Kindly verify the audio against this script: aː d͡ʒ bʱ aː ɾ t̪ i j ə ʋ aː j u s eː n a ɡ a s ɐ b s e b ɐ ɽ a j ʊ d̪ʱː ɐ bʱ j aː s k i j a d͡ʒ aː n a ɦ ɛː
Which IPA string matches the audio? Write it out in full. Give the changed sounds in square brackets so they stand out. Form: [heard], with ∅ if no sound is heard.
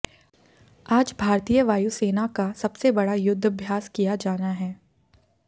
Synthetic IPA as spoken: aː d͡ʒ bʱ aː ɾ t̪ i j ə ʋ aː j u s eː n a [k] a s ɐ b s e b ɐ ɽ a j ʊ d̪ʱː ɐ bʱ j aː s k i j a d͡ʒ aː n a ɦ ɛː